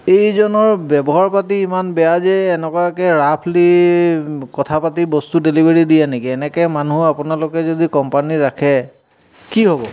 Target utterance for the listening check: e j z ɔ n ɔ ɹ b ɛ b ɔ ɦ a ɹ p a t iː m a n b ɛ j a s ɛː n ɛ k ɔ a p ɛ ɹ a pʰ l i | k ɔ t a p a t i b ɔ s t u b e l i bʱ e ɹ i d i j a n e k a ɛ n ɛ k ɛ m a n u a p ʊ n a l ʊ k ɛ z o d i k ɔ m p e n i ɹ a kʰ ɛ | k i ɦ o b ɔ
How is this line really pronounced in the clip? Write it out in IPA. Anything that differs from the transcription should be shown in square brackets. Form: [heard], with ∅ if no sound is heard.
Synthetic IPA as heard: e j z ɔ n ɔ ɹ b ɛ b ɔ ɦ a ɹ p a t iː m a n b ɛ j a [z] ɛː n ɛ k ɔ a [k] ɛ ɹ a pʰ l i | k ɔ [tʰ] a p a t i b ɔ s t u [d] e l i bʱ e ɹ i d i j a n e k [i] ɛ n ɛ k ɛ m a n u a p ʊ n a l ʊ k ɛ z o d i k ɔ m p [a] n i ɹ a kʰ ɛ | k i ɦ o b ɔ